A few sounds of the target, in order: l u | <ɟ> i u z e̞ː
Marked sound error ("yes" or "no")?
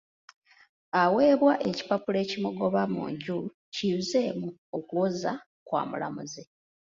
yes